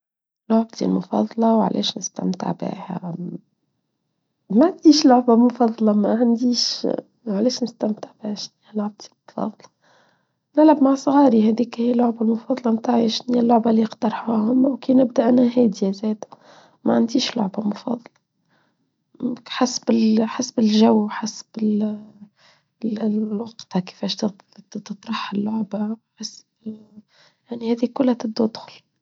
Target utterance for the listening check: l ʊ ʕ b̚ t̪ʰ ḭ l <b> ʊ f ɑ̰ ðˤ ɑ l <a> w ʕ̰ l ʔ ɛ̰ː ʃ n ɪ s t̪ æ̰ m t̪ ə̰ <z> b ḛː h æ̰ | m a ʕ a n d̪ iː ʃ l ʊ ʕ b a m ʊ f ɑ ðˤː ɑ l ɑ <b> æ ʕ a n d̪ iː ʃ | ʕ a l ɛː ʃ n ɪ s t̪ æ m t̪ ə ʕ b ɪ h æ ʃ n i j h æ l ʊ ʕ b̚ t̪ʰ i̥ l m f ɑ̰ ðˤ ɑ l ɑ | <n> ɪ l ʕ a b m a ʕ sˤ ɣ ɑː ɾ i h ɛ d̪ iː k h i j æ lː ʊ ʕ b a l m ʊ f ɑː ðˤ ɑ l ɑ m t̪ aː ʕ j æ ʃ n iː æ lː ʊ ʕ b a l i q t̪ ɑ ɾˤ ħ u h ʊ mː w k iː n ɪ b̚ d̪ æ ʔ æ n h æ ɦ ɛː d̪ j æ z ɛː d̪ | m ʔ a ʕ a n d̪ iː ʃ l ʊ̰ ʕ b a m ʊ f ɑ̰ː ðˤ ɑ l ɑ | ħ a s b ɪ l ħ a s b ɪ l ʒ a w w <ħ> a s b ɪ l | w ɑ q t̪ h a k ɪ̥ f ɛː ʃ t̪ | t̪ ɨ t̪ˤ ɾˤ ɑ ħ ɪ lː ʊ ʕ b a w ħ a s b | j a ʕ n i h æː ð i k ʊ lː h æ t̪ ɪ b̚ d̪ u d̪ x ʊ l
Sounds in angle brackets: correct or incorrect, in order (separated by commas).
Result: incorrect, incorrect, incorrect, incorrect, correct, correct